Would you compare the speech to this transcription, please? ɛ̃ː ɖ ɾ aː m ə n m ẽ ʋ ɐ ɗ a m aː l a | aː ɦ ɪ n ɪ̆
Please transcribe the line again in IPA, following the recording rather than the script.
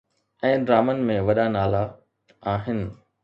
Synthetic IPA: ɛ̃ː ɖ ɾ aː m ə n m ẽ ʋ ɐ ɗ a n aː l a | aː ɦ ɪ n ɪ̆